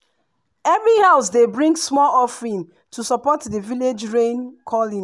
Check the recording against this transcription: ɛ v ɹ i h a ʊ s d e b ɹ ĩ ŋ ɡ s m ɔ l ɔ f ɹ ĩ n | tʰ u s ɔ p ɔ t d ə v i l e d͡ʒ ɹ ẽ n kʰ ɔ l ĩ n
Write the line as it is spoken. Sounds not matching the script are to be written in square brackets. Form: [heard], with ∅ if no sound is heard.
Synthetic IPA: ɛ v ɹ i h a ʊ s d e b ɹ ĩ ŋ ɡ s m ɔ l ɔ f ɹ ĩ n | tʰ u s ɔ p ɔ t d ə v i l e d͡ʒ ɹ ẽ n kʰ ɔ l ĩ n

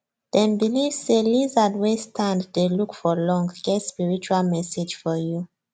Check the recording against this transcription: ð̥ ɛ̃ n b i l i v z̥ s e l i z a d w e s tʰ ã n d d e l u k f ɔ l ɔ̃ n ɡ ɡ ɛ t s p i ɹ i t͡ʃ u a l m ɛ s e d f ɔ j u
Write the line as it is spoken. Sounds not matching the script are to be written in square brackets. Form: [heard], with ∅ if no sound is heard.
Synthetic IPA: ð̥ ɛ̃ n b i l i v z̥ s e l i z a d w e s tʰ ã n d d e l u k f ɔ l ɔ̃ [ŋ] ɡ ɡ ɛ t s p i ɹ i t͡ʃ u a l m ɛ s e [d͡ʒ] f ɔ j u

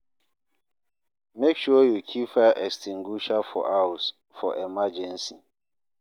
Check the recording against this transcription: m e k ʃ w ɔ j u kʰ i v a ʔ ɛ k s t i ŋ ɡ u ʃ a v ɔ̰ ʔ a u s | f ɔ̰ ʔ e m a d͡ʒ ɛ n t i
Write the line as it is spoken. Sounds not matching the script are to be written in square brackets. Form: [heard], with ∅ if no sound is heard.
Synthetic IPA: m e k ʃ [u] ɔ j u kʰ i [f] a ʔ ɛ k s t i ŋ ɡ u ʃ a [f] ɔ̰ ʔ a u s | f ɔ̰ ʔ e m a d͡ʒ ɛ n [s] i

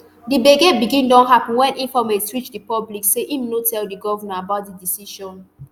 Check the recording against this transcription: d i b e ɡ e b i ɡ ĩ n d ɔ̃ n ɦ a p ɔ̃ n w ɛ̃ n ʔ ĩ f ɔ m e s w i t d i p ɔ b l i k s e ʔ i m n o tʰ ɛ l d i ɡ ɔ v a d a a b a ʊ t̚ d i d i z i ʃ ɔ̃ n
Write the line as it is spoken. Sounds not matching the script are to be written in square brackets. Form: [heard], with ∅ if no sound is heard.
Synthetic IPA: d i b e ɡ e b i ɡ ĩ n d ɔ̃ n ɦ a p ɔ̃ n w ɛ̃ n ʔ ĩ f ɔ m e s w i [t͡ʃ] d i p ɔ b l i k s e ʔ i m n o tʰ ɛ l d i ɡ ɔ v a [n] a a b a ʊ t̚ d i d i [s] i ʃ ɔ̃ n

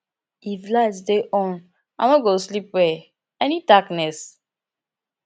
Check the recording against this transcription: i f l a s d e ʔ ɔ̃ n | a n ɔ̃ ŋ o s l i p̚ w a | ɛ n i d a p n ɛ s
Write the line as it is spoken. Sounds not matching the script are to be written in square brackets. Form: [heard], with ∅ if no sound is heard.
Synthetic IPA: i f l a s d e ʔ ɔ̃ n | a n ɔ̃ [ɡ] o s l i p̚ w [ɛ] | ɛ n i d a [k] n ɛ s

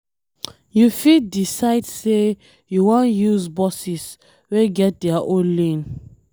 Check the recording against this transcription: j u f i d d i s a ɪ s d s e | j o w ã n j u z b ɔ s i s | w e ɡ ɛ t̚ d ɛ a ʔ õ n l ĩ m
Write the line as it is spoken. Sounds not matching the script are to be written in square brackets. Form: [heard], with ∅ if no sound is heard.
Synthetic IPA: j u f i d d i s a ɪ [∅] d s e | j [u] w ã n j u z b ɔ s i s | w e ɡ ɛ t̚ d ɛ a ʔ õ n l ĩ [n]

